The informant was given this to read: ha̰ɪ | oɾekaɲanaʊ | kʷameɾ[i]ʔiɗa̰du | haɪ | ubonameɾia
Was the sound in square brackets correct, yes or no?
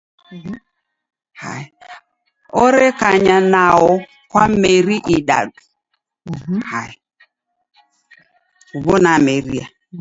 yes